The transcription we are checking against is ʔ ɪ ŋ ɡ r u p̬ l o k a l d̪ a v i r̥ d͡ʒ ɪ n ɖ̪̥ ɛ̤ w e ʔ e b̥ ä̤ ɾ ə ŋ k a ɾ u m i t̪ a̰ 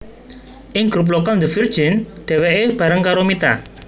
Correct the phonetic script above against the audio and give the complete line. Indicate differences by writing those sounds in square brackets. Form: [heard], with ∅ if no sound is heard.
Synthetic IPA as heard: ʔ ɪ ŋ ɡ [ɾ] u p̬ l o k a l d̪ [ə] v i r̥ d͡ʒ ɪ n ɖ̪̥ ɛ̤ w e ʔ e b̥ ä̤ ɾ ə ŋ k a ɾ [o] m i t̪ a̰